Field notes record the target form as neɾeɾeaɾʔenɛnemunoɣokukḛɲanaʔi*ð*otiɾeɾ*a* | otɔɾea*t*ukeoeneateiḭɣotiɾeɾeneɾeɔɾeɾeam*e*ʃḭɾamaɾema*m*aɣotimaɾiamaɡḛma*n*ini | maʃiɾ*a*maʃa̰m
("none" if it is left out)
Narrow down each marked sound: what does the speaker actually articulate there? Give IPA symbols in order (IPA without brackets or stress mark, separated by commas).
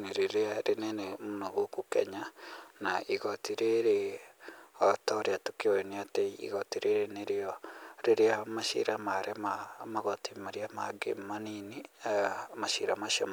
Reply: ɣ, e, t, a, m, n, a